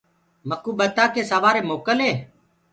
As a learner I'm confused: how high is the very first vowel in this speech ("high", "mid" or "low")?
mid